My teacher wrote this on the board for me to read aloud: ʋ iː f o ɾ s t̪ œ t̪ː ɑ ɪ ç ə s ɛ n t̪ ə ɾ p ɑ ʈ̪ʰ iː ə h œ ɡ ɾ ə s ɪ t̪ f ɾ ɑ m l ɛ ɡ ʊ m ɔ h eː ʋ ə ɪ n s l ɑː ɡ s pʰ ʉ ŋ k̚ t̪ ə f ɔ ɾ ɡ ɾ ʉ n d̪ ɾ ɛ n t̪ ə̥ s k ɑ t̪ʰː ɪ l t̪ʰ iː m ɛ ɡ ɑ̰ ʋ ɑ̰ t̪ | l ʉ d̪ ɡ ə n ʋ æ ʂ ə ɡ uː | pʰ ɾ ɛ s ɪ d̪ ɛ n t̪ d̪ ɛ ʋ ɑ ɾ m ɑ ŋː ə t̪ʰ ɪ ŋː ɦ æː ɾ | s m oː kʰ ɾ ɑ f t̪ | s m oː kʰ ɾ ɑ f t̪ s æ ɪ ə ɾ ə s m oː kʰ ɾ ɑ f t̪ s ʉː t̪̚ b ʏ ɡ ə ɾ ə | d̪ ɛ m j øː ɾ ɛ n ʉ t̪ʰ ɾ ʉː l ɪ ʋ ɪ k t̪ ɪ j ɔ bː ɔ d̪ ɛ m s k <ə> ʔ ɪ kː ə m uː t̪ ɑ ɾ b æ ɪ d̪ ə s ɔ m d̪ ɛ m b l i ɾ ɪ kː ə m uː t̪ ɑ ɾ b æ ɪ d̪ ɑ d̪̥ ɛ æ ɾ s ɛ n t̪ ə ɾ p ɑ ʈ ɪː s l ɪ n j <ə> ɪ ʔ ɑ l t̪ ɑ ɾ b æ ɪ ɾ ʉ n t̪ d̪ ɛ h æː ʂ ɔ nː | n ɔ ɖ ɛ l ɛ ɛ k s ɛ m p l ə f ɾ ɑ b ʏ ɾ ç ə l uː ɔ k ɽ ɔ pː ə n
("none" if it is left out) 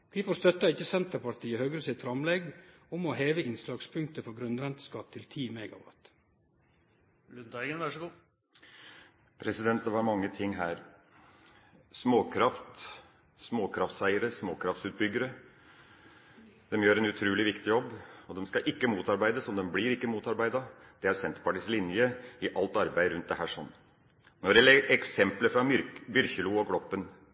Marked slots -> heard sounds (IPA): ɑ, ə

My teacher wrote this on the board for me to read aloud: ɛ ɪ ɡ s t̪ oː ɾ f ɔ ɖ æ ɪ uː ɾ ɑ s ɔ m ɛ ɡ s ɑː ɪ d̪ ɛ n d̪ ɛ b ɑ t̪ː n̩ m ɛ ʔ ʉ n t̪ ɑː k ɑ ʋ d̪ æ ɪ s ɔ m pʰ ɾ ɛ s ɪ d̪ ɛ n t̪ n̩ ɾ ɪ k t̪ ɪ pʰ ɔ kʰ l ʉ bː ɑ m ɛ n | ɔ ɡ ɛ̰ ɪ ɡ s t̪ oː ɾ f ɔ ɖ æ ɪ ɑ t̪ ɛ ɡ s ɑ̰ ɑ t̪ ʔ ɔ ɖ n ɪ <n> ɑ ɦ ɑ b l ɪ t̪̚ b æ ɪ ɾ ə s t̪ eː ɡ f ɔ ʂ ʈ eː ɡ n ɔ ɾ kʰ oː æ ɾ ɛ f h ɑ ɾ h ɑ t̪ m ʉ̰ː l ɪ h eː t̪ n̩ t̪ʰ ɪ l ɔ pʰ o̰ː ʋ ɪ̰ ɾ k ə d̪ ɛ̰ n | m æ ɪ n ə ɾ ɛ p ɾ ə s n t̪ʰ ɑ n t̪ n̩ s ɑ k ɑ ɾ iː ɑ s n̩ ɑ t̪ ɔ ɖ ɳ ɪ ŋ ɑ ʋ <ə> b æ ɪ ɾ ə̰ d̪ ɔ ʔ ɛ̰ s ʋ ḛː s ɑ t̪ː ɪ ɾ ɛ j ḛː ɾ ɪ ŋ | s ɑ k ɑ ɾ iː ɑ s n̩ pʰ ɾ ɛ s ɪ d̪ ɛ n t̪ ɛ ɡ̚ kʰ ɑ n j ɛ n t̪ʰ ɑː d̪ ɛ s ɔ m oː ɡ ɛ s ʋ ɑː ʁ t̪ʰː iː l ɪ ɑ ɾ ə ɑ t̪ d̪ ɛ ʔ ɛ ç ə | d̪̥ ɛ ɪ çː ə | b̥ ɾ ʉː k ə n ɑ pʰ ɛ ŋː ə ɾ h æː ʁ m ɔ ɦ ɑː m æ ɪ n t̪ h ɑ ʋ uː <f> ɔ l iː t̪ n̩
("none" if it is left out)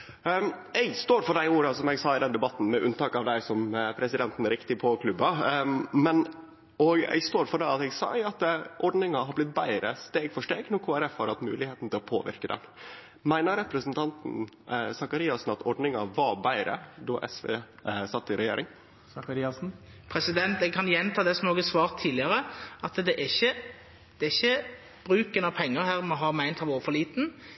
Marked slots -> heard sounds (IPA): ŋ, ɑ, f

